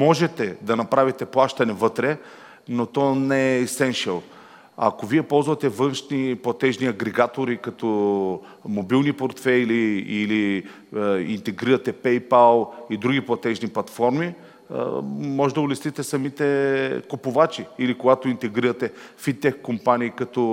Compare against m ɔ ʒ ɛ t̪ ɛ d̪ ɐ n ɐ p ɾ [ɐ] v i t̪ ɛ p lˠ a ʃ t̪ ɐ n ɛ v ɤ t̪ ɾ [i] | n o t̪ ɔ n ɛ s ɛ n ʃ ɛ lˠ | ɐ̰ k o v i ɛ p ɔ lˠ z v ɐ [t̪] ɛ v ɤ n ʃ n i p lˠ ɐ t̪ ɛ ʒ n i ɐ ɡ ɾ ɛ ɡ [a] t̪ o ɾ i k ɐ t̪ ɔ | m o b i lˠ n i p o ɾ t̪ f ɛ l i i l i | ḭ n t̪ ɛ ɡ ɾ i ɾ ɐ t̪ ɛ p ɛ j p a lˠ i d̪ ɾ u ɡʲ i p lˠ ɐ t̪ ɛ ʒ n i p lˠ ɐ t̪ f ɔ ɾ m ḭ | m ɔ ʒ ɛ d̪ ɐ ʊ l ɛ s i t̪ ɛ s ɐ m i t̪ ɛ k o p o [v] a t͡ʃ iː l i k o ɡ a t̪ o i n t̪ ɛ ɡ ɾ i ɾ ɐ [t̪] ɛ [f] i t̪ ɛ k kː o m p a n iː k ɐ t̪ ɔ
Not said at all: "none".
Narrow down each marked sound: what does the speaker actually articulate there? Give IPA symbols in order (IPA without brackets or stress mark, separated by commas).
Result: a, ɛ, t̪, a, v, t̪, f